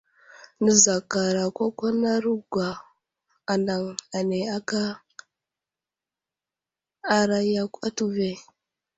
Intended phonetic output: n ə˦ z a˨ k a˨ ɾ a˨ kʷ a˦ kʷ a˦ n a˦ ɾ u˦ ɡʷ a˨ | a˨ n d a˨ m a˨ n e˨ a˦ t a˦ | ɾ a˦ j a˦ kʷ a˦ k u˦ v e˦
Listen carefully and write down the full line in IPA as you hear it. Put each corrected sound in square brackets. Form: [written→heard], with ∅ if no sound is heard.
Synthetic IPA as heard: n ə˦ z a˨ k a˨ ɾ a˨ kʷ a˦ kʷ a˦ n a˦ ɾ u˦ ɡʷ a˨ | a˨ n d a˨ [m→ŋ] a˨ n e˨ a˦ [t→k] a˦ | ɾ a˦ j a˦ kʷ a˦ [k→t] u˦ v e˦